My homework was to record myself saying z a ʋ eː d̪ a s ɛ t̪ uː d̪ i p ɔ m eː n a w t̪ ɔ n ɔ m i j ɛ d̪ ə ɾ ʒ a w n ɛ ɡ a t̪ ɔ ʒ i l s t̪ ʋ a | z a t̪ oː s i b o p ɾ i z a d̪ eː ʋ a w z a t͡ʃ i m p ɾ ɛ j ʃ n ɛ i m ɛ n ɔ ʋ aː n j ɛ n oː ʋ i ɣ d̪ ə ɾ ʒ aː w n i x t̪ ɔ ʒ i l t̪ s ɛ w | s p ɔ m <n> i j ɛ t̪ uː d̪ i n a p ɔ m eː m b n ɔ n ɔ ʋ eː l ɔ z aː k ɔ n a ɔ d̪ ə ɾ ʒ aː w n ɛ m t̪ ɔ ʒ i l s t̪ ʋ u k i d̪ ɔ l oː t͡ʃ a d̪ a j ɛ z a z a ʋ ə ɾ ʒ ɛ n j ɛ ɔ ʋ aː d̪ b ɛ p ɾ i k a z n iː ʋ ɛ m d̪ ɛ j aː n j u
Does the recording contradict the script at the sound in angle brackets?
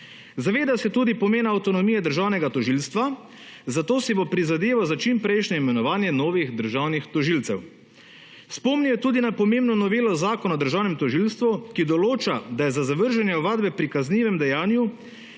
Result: no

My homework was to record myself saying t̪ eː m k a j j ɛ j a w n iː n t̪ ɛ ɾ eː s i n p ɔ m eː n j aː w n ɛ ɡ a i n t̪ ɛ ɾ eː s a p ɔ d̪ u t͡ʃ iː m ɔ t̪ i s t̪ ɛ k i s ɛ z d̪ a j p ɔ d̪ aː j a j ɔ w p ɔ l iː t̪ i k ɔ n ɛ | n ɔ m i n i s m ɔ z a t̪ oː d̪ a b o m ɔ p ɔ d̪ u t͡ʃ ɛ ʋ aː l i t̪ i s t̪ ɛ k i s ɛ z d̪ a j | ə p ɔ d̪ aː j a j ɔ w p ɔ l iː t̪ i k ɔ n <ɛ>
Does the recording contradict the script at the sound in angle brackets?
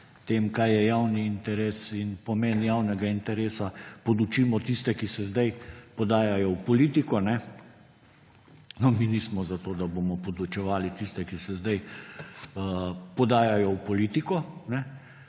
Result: no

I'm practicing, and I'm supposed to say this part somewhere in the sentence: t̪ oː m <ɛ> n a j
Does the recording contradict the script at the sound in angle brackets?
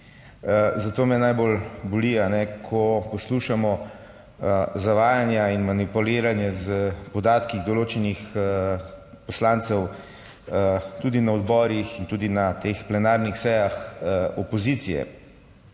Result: no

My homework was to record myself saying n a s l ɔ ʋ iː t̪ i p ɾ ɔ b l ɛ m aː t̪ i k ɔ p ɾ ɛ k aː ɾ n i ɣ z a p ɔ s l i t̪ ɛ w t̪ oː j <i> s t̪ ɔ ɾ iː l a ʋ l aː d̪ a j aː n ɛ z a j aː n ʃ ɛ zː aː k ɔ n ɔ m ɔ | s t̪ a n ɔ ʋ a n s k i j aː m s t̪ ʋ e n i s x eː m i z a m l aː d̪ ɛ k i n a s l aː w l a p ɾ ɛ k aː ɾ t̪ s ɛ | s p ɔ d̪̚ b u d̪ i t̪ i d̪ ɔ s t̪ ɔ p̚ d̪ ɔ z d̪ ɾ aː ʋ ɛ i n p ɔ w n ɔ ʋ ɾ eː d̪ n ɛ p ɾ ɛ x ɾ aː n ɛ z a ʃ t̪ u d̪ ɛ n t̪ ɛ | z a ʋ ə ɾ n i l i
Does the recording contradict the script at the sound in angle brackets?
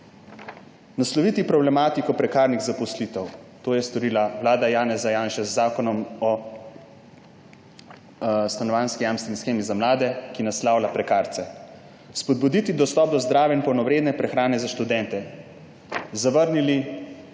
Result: yes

